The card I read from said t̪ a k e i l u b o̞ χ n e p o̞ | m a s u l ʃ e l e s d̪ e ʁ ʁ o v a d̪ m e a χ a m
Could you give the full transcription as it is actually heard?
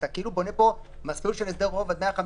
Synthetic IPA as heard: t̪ a k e i l u b o̞ n e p o̞ | m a s u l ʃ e l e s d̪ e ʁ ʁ o v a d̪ m e a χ a m